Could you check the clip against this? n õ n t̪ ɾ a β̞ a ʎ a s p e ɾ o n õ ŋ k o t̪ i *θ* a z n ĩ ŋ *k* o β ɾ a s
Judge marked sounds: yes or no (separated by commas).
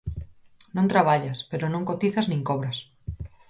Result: yes, yes